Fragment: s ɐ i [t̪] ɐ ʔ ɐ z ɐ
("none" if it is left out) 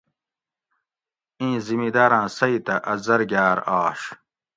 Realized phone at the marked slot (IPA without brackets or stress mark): t̪